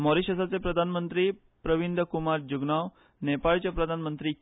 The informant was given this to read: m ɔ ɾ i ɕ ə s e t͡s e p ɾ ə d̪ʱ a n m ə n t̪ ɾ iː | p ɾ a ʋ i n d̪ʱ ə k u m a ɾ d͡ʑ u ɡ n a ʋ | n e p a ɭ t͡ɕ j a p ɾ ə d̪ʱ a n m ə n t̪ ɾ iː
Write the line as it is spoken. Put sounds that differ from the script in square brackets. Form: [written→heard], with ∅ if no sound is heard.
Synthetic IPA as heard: m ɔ ɾ i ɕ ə s [e→a] t͡s e p ɾ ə d̪ʱ a n m ə n t̪ ɾ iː | p ɾ [a→ə] ʋ i n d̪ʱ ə k u m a ɾ d͡ʑ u ɡ n a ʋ | n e p a ɭ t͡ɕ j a p ɾ ə d̪ʱ a n m ə n t̪ ɾ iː